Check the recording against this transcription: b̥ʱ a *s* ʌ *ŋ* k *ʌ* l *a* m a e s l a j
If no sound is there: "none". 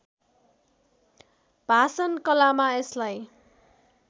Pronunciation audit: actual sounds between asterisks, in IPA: s, n, ʌ, a

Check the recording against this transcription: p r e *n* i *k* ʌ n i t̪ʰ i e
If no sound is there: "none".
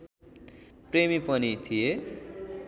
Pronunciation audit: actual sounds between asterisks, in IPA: m, p

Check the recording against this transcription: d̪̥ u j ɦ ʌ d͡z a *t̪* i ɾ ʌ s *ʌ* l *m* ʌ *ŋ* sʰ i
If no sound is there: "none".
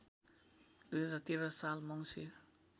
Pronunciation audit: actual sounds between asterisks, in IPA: t̪, a, m, ŋ

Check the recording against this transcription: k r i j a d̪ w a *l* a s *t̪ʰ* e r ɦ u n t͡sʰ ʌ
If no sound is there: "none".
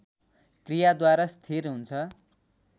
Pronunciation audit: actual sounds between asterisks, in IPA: ɾ, t̪ʰ

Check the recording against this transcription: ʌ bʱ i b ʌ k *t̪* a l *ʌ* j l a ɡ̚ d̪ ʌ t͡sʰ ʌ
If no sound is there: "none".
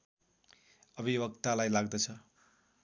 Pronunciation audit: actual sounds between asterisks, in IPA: t̪, a

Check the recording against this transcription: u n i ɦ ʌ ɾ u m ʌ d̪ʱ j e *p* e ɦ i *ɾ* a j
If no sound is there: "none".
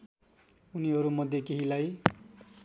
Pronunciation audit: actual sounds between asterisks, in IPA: k, l

